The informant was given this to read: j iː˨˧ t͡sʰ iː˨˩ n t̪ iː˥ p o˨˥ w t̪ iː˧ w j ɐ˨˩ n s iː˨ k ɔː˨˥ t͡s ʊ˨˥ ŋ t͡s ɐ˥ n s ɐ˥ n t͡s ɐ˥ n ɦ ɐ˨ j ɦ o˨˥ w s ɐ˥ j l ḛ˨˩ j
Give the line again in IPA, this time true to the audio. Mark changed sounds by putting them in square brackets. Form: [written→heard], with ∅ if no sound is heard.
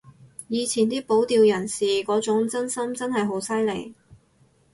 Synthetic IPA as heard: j iː˨˧ t͡sʰ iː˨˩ n t̪ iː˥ p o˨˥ w t̪ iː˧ w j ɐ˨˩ n s iː˨ k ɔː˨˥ t͡s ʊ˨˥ ŋ t͡s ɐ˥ n s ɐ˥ [n→m] t͡s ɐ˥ n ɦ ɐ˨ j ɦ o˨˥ w s ɐ˥ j l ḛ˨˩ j